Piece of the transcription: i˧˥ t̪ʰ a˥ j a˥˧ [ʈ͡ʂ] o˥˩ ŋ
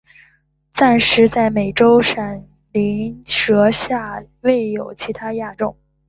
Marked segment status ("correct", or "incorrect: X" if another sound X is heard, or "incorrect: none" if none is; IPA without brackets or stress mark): correct